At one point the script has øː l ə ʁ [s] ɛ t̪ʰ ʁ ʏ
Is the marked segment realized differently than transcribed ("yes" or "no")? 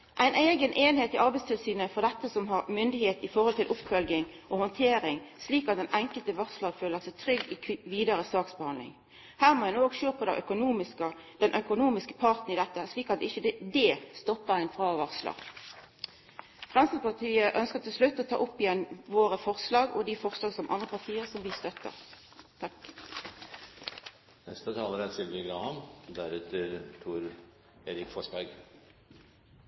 no